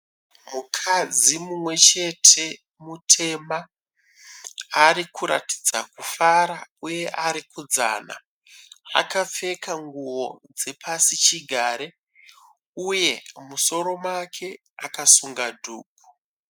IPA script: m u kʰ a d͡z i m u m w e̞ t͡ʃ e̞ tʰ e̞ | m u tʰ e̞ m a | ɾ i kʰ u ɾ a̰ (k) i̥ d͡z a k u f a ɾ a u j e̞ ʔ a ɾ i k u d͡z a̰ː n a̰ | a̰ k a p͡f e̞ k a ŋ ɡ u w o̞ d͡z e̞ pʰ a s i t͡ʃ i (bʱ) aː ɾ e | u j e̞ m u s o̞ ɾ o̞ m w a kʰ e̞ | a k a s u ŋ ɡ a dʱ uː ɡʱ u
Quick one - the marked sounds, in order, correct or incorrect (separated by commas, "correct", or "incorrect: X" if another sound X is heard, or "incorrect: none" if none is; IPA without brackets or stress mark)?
incorrect: t, incorrect: ɡʱ